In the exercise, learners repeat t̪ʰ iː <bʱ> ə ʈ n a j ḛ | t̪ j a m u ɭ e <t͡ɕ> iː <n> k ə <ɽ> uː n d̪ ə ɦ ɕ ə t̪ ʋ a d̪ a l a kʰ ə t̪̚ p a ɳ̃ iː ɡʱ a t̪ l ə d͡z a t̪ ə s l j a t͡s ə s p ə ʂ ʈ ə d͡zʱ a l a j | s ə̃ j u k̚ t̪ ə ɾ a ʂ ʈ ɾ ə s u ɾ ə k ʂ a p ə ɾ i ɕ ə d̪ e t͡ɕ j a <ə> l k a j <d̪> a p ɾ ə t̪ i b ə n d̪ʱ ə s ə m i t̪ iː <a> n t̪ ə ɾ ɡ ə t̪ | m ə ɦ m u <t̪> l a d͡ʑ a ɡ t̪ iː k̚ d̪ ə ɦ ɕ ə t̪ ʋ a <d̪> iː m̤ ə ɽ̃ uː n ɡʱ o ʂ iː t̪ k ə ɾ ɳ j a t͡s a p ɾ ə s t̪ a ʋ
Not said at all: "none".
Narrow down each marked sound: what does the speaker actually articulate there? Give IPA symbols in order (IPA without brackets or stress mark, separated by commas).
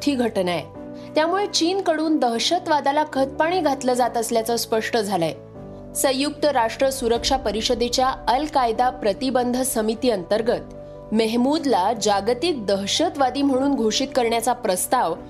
ɡʱ, t͡ɕ, n, ɽ, ə, d̪, ə, d̪, d̪